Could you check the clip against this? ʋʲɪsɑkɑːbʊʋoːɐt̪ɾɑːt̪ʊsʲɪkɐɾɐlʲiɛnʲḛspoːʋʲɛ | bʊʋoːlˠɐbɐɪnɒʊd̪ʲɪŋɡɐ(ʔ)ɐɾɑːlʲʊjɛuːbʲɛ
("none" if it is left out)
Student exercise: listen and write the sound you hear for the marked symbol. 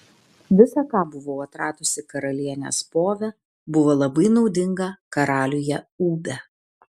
k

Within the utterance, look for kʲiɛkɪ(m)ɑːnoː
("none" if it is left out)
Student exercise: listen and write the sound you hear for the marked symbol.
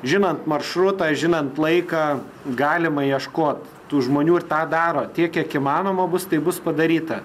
m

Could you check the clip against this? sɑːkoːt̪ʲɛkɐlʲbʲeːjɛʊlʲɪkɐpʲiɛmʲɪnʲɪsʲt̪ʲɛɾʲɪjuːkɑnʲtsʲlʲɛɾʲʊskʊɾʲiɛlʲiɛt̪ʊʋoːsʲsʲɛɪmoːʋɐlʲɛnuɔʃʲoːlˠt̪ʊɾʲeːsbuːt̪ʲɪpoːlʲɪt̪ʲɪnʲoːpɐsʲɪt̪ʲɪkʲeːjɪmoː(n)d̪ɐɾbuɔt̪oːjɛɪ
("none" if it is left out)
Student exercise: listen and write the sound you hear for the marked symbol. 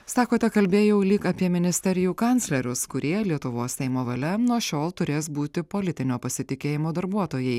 none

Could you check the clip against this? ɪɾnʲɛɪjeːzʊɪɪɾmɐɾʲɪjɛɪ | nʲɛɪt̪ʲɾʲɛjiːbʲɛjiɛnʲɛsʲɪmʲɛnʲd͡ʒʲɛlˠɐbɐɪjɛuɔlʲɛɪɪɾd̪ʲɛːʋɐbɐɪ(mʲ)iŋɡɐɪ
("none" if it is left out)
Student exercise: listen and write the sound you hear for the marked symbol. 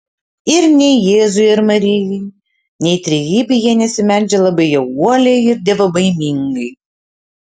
mʲ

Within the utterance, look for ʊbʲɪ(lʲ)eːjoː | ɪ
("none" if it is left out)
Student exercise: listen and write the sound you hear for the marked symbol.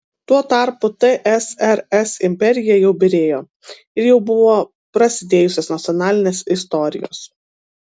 ɾʲ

